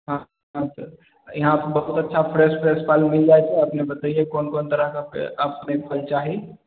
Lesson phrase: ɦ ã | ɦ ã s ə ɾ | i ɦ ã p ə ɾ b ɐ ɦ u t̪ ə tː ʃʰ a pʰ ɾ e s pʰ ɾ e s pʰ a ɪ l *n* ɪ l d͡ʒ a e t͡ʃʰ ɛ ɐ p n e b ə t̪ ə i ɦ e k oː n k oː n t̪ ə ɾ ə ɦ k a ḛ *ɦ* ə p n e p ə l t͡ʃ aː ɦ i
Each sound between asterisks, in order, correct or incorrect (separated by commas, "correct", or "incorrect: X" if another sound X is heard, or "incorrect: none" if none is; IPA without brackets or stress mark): incorrect: m, incorrect: none